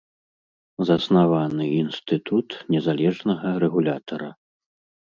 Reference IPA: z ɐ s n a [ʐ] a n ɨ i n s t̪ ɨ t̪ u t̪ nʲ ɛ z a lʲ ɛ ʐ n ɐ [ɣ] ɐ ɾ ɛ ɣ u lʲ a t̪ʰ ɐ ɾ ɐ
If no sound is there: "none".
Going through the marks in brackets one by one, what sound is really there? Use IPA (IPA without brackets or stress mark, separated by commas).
v, ɣ